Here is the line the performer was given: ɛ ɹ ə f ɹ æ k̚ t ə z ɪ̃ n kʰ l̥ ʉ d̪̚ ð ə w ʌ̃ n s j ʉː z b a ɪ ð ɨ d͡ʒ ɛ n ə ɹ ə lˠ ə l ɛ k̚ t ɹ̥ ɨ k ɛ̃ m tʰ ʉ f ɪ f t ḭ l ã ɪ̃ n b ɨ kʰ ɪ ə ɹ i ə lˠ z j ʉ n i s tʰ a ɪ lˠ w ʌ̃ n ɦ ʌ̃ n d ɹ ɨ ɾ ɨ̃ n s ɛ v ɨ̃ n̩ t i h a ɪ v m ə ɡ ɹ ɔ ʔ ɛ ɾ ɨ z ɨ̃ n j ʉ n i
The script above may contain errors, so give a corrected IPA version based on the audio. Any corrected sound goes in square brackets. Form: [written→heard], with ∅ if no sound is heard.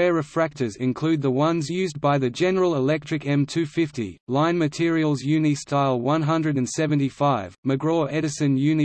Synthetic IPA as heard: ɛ ɹ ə f ɹ æ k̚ t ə z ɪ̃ n kʰ l̥ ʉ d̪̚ ð ə w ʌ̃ n [s→z] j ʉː z b a ɪ ð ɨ d͡ʒ ɛ n ə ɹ ə lˠ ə l ɛ k̚ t ɹ̥ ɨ k ɛ̃ m tʰ ʉ f ɪ f t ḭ l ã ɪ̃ n [b→m] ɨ [kʰ→tʰ] ɪ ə ɹ i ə lˠ z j ʉ n i s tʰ a ɪ lˠ w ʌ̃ n ɦ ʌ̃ n d ɹ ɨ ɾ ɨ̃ n s ɛ v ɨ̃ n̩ t i [h→f] a ɪ v m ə ɡ ɹ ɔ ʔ ɛ ɾ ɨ [z→s] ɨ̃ n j ʉ n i

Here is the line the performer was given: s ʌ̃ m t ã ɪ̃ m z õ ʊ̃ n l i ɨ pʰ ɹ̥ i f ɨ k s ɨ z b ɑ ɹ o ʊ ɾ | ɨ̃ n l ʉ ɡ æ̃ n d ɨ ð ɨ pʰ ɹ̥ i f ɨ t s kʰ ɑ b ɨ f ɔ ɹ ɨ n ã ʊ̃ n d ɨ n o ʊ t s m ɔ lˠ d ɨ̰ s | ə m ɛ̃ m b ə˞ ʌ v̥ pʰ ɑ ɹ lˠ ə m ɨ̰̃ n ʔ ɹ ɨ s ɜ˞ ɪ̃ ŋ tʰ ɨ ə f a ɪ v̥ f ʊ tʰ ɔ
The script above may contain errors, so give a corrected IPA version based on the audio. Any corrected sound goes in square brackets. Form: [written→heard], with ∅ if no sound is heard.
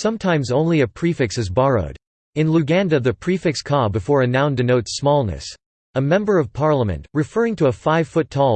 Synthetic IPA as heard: s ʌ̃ m [t→tʰ] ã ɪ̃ m z õ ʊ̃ n l i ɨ pʰ ɹ̥ i f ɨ k s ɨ z b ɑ ɹ o ʊ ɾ | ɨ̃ n l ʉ ɡ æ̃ n d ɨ ð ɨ pʰ ɹ̥ i f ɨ [t→k] s kʰ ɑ b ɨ f ɔ ɹ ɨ n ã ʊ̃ n d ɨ n o ʊ t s m ɔ lˠ [d→n] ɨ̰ s | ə m ɛ̃ m b ə˞ ʌ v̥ pʰ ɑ ɹ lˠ ə m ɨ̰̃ n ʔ ɹ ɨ [s→f] ɜ˞ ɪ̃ ŋ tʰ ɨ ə f a ɪ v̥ f ʊ tʰ ɔ

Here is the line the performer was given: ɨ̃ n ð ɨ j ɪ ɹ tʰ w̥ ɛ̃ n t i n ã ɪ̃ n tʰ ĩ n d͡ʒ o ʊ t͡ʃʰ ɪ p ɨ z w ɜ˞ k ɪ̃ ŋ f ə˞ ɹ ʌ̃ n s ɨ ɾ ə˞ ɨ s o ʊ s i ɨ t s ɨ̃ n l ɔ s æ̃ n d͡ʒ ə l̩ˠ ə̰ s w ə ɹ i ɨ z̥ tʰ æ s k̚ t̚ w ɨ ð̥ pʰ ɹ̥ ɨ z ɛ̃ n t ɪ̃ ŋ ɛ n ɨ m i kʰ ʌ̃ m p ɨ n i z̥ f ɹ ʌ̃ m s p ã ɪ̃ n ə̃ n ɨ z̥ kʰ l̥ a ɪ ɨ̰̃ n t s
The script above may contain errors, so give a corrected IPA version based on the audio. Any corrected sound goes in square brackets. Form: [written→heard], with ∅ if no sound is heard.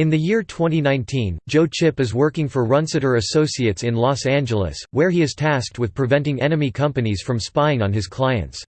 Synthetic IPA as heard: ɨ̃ n ð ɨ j ɪ ɹ tʰ w̥ ɛ̃ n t i n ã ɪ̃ n tʰ ĩ n d͡ʒ o ʊ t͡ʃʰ ɪ p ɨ z w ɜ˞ k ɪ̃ ŋ f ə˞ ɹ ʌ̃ n s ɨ ɾ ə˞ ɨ s o ʊ s i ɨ t s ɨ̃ n l ɔ s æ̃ n d͡ʒ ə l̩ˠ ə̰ s w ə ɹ i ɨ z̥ tʰ æ s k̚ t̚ w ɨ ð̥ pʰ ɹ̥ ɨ [z→v] ɛ̃ n t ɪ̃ ŋ ɛ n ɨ m i kʰ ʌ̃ m p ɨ n i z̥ f ɹ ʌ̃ m s p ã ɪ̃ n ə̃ n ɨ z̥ kʰ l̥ a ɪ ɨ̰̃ n t s

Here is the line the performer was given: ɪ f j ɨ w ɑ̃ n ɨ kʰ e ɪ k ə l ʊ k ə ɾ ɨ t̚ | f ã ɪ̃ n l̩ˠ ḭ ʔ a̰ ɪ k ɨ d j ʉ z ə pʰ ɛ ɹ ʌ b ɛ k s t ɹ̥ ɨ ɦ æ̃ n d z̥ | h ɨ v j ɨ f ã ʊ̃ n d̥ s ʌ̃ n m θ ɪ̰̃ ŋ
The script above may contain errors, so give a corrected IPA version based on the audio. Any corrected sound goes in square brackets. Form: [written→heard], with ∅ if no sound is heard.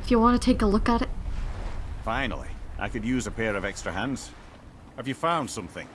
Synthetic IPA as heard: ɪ f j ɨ w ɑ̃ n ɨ [kʰ→tʰ] e ɪ k ə l ʊ k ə ɾ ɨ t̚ | f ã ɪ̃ n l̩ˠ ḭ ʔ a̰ ɪ k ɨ d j ʉ z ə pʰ ɛ ɹ ʌ [b→v] ɛ k s t ɹ̥ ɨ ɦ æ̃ n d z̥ | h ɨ v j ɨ f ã ʊ̃ n d̥ s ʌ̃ [n→∅] m θ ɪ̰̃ ŋ

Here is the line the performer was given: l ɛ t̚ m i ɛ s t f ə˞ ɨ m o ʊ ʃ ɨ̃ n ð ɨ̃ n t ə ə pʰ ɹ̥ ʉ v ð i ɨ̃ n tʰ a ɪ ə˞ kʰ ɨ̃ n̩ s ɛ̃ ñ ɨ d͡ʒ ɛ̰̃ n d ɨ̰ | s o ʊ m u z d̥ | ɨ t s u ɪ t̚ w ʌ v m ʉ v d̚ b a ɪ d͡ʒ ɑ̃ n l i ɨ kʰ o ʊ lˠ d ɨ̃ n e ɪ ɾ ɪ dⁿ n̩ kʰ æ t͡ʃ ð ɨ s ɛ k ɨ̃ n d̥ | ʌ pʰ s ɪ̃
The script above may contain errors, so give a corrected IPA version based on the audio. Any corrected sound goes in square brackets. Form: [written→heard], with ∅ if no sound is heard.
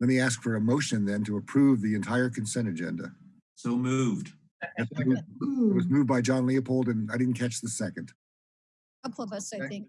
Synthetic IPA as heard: l ɛ t̚ m i [ɛ→æ] s [t→k] f ə˞ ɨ m o ʊ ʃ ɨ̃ n ð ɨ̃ n t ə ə pʰ ɹ̥ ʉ v ð i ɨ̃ n tʰ a ɪ ə˞ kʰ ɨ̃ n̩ s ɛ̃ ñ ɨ d͡ʒ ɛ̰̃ n d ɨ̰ | s o ʊ m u [z→v] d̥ | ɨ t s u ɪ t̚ w ʌ [v→z] m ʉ v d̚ b a ɪ d͡ʒ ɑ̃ n l i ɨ [kʰ→pʰ] o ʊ lˠ d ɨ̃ n [e→a] ɪ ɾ ɪ dⁿ n̩ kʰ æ t͡ʃ ð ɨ s ɛ k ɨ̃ n d̥ | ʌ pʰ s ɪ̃

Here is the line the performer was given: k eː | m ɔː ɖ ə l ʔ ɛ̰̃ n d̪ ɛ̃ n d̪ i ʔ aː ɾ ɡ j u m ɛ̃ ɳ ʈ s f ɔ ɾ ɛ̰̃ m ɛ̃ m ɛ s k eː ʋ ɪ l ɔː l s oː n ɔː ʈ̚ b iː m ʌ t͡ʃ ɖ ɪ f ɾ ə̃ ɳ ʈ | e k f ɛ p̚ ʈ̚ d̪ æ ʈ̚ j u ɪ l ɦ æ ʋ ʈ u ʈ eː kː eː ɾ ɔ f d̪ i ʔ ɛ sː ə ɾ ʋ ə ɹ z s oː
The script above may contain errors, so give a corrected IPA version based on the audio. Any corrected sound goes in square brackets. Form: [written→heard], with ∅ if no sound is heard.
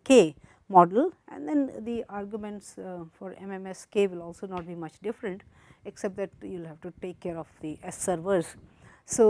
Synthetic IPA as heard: k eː | m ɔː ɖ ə l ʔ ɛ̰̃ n d̪ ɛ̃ n d̪ i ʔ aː ɾ ɡ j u m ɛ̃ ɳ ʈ s f ɔ ɾ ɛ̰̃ m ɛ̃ m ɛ s k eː ʋ ɪ l ɔː l s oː n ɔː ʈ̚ b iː m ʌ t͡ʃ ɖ ɪ f ɾ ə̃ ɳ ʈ | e k [f→s] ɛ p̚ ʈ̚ d̪ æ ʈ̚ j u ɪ l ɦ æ ʋ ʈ u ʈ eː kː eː ɾ ɔ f d̪ i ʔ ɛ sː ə ɾ ʋ ə [ɹ→ɾ] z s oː

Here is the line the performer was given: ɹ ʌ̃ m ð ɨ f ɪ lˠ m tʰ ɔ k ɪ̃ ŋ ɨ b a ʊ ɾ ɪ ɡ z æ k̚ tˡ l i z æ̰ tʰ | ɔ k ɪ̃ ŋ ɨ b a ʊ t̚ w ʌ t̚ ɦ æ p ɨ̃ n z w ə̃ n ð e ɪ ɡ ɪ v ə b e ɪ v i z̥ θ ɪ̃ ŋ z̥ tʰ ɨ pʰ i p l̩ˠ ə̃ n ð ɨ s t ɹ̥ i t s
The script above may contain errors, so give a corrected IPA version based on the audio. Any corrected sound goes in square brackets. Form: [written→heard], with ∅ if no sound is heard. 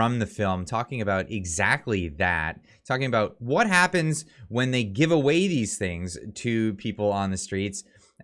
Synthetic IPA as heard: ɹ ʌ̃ m ð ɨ f ɪ lˠ m tʰ ɔ k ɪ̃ ŋ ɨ b a ʊ ɾ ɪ ɡ z æ k̚ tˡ l i [z→ð] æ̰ tʰ | ɔ k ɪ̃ ŋ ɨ b a ʊ t̚ w ʌ t̚ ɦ æ p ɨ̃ n z w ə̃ n ð e ɪ ɡ ɪ v ə [b→w] e ɪ [v→ð] i z̥ θ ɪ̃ ŋ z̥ tʰ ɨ pʰ i p l̩ˠ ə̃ n ð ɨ s t ɹ̥ i t s

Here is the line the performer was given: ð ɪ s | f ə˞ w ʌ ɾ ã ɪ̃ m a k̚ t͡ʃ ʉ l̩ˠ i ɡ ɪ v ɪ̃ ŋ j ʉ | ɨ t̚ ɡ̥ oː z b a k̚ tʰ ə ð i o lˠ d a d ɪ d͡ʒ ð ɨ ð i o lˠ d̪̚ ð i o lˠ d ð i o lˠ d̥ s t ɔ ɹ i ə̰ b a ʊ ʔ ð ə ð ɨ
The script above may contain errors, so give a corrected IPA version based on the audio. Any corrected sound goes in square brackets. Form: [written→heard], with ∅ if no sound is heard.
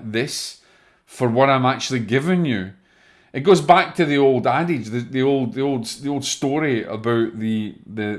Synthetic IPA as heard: ð ɪ s | f ə˞ w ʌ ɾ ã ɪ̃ m a k̚ t͡ʃ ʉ l̩ˠ i ɡ ɪ v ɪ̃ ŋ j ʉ | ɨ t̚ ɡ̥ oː z b a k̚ tʰ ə ð i o lˠ d a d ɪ d͡ʒ ð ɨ ð i o lˠ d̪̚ ð i o lˠ d ð i o lˠ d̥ s t ɔ ɹ i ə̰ b a ʊ ʔ ð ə ð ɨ

